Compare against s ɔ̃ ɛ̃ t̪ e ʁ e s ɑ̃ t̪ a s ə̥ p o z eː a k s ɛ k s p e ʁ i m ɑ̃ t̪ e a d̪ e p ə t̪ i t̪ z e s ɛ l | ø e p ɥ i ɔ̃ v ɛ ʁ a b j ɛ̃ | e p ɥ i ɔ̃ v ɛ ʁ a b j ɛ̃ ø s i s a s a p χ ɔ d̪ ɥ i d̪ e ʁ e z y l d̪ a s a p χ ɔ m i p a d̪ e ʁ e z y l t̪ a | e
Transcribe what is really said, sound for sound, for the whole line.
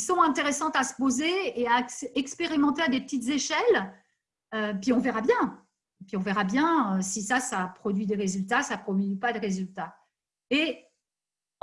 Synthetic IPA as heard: s ɔ̃ ɛ̃ t̪ e ʁ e s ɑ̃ t̪ a s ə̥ p o z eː a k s ɛ k s p e ʁ i m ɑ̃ t̪ e a d̪ e p ə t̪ i t̪ z e ʃ ɛ l | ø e p ɥ i ɔ̃ v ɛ ʁ a b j ɛ̃ | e p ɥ i ɔ̃ v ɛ ʁ a b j ɛ̃ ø s i s a s a p χ ɔ d̪ ɥ i d̪ e ʁ e z y l t̪ a s a p χ ɔ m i p a d̪ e ʁ e z y l t̪ a | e